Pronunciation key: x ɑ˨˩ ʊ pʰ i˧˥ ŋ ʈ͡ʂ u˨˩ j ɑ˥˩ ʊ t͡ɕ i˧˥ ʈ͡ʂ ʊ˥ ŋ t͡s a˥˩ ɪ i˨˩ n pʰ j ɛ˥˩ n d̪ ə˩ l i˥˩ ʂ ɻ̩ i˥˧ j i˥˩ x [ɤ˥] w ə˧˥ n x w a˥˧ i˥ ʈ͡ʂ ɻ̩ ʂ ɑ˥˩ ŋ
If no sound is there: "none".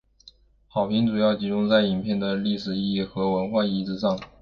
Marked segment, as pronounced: ɤ˧˥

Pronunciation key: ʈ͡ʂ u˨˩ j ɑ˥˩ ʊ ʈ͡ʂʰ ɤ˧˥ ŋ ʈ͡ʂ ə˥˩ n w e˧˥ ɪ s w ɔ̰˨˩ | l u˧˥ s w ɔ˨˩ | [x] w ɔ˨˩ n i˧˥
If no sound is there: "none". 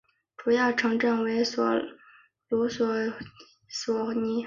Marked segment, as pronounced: s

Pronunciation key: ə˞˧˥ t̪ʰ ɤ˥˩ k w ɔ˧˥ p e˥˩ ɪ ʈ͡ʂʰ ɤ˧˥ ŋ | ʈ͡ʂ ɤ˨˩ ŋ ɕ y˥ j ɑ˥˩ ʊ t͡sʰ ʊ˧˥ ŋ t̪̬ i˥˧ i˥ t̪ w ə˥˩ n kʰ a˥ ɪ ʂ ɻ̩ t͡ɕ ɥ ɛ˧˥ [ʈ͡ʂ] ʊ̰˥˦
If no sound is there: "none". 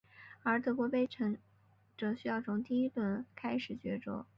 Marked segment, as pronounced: ʈ͡ʂ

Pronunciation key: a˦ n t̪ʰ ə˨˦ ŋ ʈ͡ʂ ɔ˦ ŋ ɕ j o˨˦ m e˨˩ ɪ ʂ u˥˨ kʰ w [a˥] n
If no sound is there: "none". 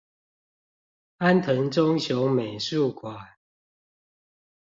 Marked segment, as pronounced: a˨˩˦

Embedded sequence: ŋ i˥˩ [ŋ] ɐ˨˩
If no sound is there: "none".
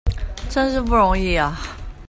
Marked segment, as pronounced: none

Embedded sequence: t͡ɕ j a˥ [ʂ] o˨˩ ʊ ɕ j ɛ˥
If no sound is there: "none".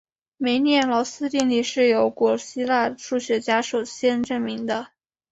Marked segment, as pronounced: ʂ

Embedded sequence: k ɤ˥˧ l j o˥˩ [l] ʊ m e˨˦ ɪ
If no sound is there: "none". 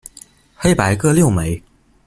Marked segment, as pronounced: none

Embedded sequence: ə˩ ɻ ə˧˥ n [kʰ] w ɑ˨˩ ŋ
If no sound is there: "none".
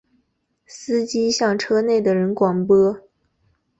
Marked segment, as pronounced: k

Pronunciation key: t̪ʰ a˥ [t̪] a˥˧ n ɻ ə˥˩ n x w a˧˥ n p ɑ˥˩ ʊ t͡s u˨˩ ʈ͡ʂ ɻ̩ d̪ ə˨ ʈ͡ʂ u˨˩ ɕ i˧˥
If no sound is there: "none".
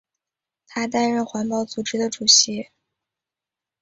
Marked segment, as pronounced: t̪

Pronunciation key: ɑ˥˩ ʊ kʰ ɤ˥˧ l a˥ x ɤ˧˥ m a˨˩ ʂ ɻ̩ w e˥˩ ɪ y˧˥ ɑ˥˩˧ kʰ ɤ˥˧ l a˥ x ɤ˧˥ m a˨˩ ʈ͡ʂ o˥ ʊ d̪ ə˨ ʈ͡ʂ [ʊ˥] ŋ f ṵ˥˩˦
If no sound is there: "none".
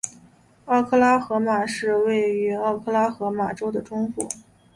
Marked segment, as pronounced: ʊ˥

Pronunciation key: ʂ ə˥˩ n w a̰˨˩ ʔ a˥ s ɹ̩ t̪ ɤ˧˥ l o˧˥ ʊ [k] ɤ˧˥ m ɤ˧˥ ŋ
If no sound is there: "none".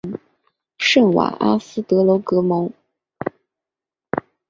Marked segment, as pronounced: k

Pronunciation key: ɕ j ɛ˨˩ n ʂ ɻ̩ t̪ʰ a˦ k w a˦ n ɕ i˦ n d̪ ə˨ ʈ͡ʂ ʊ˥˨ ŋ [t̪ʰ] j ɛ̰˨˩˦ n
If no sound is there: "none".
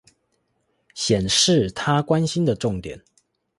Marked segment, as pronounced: t̪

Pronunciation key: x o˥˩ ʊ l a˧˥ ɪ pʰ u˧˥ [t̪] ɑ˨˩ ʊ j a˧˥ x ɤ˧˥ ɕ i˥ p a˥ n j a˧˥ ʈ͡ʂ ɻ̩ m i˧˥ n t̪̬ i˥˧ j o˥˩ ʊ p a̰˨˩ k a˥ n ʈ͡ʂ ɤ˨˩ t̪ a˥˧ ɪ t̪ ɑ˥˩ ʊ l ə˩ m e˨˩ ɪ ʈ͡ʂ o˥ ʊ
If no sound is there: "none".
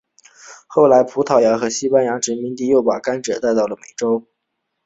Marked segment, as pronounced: t̪ʰ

